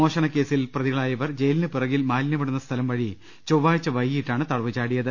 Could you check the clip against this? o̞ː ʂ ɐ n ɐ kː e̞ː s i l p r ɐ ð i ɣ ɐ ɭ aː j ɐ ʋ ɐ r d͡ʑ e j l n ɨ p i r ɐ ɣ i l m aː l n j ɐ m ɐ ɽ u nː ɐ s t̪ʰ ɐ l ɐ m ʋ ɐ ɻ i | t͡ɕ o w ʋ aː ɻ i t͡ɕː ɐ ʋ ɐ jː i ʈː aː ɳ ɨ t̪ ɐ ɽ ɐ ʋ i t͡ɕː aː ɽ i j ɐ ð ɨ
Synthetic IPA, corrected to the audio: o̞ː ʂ ɐ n ɐ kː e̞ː s i l p r ɐ ð i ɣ ɐ ɭ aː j ɐ ʋ ɐ r d͡ʑ e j l n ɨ p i r ɐ ɣ i l m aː l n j ɐ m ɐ ɽ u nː ɐ s t̪ʰ ɐ l ɐ m ʋ ɐ ɻ i | t͡ɕ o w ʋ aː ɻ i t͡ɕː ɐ ʋ ɐ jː i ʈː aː ɳ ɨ t̪ ɐ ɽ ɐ ʋ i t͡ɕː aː ɽ i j ɐ ð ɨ